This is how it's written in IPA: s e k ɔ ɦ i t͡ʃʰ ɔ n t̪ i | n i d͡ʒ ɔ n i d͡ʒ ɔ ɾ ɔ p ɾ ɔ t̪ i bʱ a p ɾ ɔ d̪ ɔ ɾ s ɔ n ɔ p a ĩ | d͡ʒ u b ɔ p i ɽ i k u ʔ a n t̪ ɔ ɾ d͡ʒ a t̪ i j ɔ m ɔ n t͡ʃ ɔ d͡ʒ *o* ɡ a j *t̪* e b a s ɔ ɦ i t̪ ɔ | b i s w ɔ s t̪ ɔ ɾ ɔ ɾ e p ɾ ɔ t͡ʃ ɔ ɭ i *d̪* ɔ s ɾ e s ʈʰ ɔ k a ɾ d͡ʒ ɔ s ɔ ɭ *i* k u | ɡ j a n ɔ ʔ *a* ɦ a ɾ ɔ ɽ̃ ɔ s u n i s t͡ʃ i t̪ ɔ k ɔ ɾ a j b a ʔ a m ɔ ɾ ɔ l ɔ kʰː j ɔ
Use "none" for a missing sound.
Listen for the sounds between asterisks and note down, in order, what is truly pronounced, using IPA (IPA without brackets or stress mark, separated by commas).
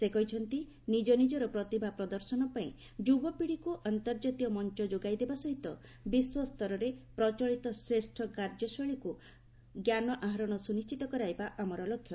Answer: o, d̪, t̪, i, a